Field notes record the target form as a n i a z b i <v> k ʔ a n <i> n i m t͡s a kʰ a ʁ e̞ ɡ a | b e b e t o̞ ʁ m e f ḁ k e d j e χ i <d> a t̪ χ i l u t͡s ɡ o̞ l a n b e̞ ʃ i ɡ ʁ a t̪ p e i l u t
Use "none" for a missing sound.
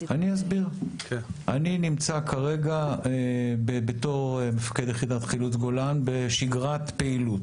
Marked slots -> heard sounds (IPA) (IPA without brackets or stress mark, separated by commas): ʁ, i, d